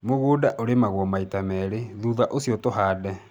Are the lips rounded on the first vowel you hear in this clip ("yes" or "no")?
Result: yes